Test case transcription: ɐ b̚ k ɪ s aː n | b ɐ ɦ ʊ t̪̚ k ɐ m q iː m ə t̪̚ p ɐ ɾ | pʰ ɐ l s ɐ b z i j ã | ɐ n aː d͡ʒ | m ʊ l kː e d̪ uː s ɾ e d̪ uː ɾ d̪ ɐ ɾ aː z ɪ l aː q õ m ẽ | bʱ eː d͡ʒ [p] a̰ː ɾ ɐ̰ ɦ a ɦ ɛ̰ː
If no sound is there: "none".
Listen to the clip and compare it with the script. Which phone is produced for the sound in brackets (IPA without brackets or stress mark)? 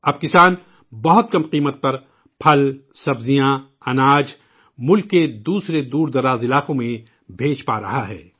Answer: p